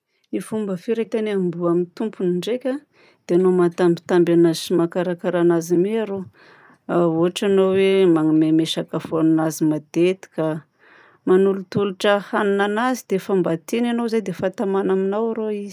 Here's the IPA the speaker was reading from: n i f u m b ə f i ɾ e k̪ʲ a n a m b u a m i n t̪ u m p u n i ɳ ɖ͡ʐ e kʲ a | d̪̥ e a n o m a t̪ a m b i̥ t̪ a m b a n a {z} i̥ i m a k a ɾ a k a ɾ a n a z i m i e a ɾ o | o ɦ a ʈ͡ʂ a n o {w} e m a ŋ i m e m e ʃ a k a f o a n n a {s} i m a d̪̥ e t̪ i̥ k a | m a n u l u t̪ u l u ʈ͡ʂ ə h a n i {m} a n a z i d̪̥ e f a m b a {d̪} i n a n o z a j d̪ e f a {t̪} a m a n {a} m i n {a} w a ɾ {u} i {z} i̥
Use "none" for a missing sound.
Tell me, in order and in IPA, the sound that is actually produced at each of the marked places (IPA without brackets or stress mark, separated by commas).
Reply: z, w, z, n, t̪, t̪, a, a, o, z